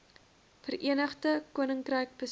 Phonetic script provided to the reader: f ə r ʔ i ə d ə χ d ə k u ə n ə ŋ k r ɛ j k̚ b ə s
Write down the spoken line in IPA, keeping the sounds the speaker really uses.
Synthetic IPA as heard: f ə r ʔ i ə n ə χ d ə k u ə n ə ŋ k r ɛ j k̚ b ə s